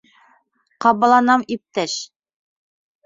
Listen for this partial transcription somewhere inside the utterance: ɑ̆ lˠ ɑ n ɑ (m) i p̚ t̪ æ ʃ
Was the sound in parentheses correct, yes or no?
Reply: yes